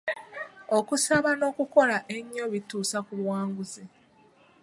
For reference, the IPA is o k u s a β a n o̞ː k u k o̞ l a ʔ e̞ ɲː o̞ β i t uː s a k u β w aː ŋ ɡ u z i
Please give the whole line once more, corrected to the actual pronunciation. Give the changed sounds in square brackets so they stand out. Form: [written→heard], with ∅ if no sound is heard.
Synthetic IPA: o k u s a β a n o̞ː k u k o̞ l a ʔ e̞ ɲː o̞ β i t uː s a k u β w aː ŋ ɡ u z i